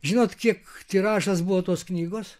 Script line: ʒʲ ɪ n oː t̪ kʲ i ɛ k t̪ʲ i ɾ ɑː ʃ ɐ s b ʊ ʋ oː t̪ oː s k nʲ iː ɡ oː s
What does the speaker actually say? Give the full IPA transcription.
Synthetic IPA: ʒʲ ɪ n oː t̪ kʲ i ɛ k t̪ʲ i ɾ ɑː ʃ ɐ s b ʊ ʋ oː t̪ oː s k nʲ iː ɡ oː s